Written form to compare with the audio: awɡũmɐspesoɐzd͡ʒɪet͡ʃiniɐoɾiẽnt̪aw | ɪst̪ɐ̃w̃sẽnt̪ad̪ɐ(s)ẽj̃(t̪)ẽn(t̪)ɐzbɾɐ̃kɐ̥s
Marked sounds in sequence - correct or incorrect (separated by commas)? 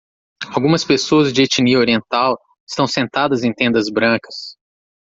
incorrect, correct, incorrect